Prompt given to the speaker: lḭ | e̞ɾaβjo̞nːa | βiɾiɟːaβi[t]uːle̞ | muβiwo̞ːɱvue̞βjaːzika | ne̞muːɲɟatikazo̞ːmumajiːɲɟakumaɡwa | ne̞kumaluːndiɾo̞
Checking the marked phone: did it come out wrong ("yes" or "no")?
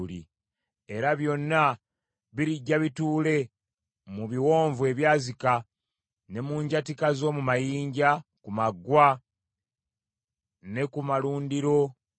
no